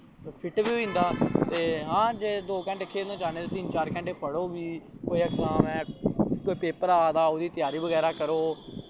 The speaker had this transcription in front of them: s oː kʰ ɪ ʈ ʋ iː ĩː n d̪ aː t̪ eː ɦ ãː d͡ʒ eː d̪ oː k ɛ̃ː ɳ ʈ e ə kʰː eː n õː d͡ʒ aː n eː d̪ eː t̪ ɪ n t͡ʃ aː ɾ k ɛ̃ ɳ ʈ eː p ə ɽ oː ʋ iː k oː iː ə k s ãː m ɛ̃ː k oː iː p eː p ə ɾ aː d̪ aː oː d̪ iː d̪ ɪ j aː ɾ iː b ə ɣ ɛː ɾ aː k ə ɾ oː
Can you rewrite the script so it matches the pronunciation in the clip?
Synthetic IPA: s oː pʰ ɪ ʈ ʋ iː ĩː n d̪ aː t̪ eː ɦ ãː d͡ʒ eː d̪ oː k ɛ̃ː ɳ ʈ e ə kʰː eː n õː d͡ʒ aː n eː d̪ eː t̪ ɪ n t͡ʃ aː ɾ k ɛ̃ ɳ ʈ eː p ə ɽ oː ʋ iː k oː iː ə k s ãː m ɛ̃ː k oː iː p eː p ə ɾ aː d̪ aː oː d̪ iː t̪ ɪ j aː ɾ iː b ə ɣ ɛː ɾ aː k ə ɾ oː